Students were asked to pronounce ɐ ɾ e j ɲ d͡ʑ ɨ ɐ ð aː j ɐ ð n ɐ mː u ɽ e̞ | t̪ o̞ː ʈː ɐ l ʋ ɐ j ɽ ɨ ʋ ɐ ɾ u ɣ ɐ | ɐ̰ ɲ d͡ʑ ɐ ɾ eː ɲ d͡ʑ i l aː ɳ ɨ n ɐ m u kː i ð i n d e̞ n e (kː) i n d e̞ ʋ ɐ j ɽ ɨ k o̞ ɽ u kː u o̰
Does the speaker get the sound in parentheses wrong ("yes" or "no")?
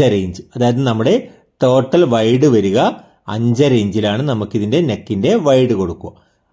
no